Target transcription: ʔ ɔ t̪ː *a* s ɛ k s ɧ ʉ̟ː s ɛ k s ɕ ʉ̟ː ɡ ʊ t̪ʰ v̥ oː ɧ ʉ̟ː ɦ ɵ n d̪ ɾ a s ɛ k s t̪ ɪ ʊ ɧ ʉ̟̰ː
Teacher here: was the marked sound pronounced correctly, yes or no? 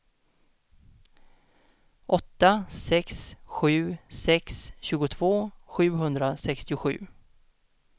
yes